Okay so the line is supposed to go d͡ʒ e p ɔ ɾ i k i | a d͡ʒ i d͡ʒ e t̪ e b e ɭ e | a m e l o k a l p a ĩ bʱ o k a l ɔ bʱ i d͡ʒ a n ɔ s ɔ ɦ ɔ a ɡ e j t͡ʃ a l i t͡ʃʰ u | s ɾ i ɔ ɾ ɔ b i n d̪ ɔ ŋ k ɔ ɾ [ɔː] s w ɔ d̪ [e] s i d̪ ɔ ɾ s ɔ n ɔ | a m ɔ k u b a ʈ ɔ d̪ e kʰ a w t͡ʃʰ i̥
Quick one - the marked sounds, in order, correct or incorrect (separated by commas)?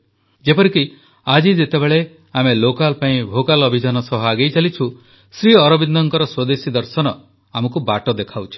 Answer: incorrect, correct